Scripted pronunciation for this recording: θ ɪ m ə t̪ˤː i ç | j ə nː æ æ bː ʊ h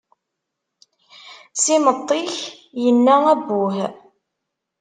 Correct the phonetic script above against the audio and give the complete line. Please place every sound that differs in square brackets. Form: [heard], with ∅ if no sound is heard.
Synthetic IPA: [s] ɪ m ə t̪ˤː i ç | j ə nː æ æ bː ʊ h